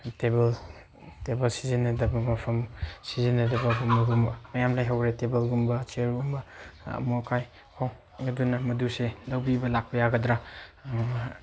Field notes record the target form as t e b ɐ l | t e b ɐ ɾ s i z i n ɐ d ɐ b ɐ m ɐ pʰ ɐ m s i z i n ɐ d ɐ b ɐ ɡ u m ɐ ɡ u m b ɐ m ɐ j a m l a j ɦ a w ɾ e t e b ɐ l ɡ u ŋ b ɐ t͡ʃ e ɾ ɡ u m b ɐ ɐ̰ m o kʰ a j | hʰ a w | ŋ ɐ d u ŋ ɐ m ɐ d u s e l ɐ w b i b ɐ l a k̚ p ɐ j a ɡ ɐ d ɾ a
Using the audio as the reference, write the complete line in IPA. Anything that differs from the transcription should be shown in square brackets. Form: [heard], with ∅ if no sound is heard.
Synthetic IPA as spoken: t e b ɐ l | t e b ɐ [l] s i z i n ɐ d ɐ b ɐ m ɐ pʰ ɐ m s i z i n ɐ d ɐ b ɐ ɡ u m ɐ ɡ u m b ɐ m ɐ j a m l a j ɦ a w ɾ e t e b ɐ l ɡ u [m] b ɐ t͡ʃ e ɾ ɡ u m b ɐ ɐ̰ m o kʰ a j | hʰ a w | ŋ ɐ d u [n] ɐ m ɐ d u s e l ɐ w b i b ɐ l a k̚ p ɐ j a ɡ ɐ d ɾ a